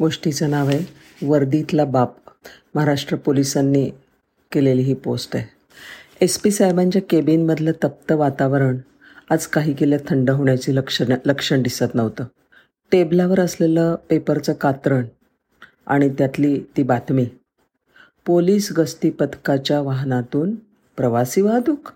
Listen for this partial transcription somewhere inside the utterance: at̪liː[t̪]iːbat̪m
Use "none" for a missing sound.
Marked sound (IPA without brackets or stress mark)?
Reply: t̪